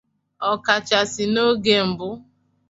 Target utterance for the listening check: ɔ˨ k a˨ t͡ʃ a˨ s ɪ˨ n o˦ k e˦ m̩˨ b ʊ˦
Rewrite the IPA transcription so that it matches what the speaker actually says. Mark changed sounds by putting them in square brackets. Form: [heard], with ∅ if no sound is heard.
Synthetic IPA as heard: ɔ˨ k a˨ t͡ʃ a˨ s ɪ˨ n o˦ [ɡ] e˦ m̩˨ b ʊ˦

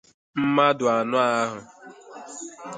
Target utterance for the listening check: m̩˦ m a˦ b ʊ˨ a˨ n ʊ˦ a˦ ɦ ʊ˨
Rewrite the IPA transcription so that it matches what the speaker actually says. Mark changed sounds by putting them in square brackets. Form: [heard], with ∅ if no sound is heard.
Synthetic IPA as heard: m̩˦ m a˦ [d] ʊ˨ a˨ n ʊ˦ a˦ ɦ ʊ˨

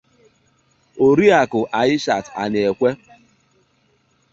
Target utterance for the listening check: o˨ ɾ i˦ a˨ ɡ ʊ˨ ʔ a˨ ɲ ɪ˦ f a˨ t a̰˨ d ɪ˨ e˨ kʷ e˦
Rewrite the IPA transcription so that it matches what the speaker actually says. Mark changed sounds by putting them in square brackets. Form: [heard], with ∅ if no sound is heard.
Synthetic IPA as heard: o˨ ɾ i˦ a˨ [k] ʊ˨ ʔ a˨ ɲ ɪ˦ [ʃ] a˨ t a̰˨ [n] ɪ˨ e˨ kʷ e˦

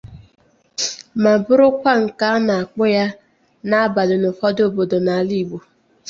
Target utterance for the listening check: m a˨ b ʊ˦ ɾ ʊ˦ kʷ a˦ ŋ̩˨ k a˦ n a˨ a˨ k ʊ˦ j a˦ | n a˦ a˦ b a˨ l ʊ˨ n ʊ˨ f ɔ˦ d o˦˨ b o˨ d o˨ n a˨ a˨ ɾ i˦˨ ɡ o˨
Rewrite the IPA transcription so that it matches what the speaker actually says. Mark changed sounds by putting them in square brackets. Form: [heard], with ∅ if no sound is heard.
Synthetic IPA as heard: m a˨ b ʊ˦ ɾ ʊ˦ kʷ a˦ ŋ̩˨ k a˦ n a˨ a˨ [k͡p] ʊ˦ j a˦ | n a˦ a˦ b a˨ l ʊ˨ n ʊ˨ f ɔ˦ d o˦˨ b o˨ d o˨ n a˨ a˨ [l] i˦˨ [ɡ͡b] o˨

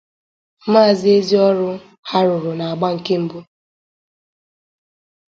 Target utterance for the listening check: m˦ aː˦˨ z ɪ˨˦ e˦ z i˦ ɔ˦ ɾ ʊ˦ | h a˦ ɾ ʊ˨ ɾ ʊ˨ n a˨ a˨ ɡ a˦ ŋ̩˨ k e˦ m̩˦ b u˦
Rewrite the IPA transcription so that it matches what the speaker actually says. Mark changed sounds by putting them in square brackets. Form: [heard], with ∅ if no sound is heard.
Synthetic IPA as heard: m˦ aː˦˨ z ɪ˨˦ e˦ z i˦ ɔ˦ ɾ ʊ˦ | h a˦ ɾ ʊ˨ ɾ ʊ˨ n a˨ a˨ [ɡ͡b] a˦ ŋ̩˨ k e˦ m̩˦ b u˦

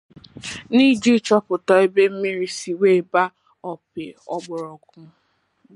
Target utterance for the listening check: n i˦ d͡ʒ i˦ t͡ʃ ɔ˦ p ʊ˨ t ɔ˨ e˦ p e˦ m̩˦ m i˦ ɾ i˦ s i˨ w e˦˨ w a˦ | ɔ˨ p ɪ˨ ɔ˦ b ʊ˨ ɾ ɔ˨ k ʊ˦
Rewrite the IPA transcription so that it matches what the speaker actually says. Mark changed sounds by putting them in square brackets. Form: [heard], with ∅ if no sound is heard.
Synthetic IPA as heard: n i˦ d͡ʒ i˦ t͡ʃ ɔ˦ p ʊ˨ t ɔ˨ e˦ [b] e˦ m̩˦ m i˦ ɾ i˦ s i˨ w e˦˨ [b] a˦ | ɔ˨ p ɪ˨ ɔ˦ [ɡ͡b] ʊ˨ ɾ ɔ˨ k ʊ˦

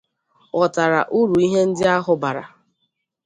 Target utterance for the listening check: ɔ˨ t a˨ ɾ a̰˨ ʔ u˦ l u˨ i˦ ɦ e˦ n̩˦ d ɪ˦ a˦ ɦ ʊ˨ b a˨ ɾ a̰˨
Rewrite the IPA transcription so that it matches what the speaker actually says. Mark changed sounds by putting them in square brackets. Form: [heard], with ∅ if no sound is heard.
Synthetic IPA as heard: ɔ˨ t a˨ ɾ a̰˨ ʔ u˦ [ɾ] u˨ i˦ ɦ e˦ n̩˦ d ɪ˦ a˦ ɦ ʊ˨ b a˨ ɾ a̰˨

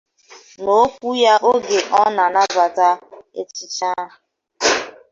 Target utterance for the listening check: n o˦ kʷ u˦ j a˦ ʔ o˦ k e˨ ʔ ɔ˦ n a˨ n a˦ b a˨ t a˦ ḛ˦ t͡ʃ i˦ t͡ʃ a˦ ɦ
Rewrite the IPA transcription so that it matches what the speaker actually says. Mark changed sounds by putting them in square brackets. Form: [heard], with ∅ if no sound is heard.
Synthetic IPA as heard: n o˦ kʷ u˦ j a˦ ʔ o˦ [ɡ] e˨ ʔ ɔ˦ n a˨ n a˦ b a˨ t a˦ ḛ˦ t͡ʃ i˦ t͡ʃ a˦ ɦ

